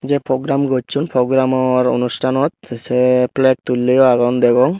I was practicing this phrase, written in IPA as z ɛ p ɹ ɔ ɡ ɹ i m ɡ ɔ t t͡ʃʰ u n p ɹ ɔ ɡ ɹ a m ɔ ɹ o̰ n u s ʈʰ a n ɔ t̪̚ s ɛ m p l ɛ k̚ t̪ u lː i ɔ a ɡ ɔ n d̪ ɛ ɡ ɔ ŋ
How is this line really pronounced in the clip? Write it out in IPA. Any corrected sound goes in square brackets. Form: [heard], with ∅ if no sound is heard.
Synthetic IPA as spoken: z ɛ p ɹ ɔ ɡ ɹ [a] m ɡ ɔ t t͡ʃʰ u n p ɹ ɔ ɡ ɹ a m ɔ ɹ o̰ n u s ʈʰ a n ɔ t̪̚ s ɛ [∅] p l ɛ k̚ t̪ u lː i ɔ a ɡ ɔ n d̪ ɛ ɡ ɔ ŋ